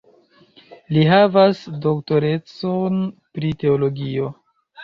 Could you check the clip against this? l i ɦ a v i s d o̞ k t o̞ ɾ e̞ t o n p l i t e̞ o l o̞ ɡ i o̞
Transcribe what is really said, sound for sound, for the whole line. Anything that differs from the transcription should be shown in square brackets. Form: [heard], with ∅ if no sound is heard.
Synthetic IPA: l i ɦ a v [a] s d o̞ k t o̞ ɾ e̞ [t͡s] o n p [ɾ] i t e̞ o l o̞ ɡ i o̞